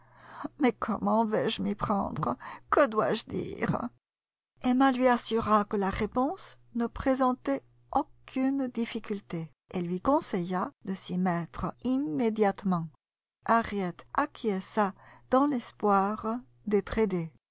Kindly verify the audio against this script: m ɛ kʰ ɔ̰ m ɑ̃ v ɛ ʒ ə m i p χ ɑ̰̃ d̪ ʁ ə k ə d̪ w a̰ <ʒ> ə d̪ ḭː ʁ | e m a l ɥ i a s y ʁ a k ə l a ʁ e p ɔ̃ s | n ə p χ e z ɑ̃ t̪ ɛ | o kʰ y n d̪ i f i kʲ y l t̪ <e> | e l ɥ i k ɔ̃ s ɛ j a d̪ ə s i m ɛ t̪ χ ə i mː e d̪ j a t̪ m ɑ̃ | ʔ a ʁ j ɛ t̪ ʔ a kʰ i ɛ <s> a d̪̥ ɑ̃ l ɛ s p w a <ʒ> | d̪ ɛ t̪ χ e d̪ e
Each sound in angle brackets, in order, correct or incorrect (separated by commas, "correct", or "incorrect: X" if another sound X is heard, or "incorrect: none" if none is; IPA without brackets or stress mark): correct, correct, correct, incorrect: ʁ